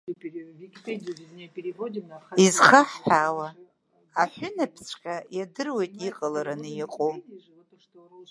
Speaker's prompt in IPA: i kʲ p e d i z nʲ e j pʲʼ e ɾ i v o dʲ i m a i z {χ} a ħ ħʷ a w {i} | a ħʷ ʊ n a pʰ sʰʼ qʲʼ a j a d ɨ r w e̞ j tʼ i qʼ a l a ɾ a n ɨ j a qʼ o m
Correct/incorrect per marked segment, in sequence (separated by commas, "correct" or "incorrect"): correct, incorrect